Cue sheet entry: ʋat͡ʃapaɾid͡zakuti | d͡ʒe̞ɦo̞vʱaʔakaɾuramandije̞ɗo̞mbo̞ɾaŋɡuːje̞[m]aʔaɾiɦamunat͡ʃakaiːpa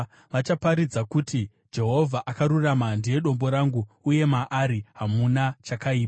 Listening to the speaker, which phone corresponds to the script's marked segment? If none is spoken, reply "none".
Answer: m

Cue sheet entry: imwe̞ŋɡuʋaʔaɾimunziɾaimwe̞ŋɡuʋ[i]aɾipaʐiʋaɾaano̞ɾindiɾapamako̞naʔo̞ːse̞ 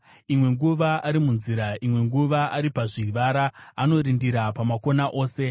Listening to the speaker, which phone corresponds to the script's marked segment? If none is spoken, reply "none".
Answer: a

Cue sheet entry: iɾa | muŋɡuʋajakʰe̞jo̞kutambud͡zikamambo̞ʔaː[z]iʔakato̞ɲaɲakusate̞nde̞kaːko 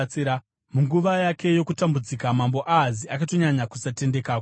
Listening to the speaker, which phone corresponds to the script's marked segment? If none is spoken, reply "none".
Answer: z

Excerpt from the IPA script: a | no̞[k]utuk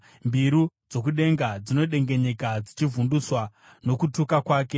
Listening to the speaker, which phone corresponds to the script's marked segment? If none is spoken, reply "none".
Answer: k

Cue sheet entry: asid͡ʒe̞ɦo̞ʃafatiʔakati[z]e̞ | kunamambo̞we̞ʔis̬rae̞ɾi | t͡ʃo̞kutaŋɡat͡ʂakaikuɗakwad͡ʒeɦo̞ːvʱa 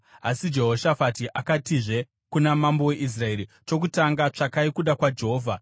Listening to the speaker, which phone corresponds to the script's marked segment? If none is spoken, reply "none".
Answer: ʐ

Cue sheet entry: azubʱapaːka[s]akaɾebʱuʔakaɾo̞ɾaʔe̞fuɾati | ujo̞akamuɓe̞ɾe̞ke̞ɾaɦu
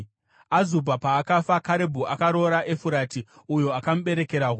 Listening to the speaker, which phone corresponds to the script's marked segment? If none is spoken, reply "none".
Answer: f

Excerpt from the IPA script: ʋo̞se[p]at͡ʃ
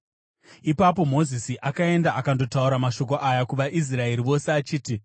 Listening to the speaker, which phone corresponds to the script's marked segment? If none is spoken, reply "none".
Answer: none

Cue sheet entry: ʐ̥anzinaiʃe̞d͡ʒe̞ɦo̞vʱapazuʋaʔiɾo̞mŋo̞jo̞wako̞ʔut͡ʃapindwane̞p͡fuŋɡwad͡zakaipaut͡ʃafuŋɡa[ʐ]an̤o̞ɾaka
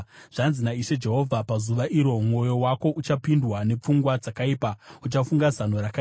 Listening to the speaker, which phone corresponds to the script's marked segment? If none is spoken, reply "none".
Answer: z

